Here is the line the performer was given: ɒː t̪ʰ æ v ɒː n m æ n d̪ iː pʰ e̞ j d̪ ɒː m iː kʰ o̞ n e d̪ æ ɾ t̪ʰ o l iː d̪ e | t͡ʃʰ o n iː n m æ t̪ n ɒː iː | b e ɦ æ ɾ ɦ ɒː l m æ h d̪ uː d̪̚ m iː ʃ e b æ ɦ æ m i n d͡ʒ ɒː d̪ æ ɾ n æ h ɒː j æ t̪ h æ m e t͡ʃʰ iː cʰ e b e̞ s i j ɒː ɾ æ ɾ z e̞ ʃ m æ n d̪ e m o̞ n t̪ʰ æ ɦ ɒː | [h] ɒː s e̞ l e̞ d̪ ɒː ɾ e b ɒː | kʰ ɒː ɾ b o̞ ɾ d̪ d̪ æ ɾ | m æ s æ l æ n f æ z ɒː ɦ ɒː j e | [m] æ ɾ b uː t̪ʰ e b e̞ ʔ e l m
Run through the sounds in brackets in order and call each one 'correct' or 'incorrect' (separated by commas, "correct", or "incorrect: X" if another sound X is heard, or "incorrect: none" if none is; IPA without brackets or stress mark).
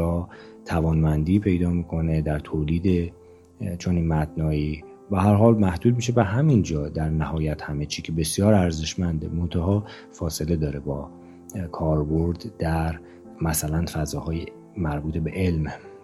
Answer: incorrect: f, correct